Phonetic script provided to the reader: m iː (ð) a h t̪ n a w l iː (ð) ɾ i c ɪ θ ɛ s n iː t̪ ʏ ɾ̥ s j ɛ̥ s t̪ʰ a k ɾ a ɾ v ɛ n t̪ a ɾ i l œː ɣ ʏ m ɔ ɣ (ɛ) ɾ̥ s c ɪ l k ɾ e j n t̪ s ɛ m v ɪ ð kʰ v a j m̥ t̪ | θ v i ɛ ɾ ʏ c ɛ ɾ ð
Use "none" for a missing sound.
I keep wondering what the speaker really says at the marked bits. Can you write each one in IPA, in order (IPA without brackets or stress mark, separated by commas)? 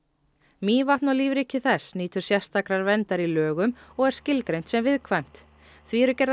v, v, ɛ